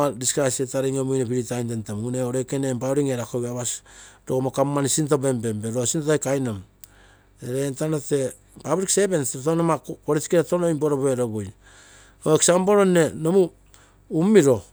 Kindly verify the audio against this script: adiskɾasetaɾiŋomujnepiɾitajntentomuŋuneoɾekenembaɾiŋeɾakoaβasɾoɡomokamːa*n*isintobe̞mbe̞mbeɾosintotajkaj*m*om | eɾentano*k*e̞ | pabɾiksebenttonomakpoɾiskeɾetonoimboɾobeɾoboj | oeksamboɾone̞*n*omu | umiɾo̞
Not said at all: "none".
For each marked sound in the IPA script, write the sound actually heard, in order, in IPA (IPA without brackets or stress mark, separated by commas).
n, n, t, n